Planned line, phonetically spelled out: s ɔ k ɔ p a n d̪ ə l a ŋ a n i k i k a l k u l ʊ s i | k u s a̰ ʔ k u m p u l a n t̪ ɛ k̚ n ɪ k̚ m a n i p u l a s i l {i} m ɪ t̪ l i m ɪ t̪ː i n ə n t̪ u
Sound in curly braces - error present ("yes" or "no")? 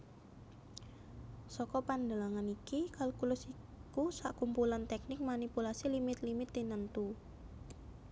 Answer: no